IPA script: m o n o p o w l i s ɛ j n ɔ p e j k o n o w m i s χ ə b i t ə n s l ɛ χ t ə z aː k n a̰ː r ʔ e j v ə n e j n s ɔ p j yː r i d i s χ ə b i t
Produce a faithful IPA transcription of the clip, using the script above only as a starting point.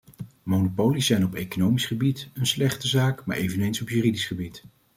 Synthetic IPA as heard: m o n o p o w l i s ɛ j n ɔ p e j k o n o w m i s χ ə b i t ə n s l ɛ χ t ə z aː k m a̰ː ɹ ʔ e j v ə n e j n s ɔ p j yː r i d i s χ ə b i t